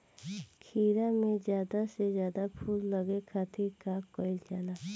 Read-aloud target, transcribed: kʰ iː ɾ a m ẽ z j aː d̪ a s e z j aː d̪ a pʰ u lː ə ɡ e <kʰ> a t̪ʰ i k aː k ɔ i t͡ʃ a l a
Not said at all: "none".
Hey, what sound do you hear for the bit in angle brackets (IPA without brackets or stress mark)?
kʰ